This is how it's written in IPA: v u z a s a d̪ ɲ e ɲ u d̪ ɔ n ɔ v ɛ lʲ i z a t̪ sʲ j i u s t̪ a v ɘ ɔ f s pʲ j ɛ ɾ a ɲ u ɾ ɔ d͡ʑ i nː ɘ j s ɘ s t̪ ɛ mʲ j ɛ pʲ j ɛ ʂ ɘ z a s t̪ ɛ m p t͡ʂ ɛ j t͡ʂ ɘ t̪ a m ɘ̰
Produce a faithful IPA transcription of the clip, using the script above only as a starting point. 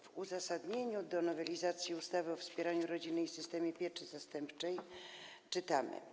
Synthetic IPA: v u z a s a d̪ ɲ e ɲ u d̪ ɔ n ɔ v ɛ lʲ i z a t̪ sʲ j i u s t̪ a v ɘ ɔ f s pʲ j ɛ ɾ a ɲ u ɾ ɔ d͡ʑ i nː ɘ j s ɘ s t̪ ɛ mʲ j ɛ pʲ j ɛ t͡ʂ ɘ z a s t̪ ɛ m p t͡ʂ ɛ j t͡ʂ ɘ t̪ a m ɘ̰